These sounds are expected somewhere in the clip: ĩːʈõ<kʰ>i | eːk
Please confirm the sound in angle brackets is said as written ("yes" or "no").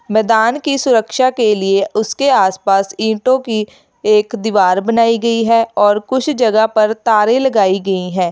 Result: no